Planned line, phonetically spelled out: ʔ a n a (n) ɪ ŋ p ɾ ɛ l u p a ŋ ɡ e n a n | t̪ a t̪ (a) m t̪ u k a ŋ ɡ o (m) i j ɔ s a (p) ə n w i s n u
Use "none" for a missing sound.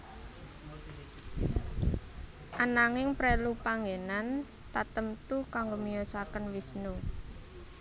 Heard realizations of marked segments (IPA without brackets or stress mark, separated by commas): ŋ, ə, m, k